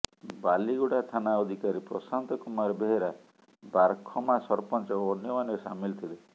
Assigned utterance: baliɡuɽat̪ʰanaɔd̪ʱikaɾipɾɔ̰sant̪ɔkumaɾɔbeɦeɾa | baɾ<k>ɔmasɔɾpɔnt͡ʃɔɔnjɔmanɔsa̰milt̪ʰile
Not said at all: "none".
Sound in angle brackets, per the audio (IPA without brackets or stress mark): kʰ